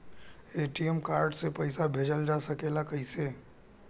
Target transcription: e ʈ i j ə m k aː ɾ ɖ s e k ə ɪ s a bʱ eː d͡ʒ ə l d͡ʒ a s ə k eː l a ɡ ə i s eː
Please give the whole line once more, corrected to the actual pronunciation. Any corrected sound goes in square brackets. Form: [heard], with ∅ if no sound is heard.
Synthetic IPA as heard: e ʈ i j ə m k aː ɾ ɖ s e [p] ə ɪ s a bʱ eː d͡ʒ ə l d͡ʒ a s ə k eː l a [k] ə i s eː